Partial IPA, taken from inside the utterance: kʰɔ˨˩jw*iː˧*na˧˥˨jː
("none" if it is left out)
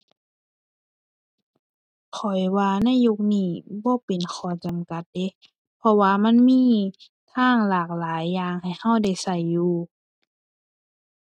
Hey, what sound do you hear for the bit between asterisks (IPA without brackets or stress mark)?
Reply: aː˧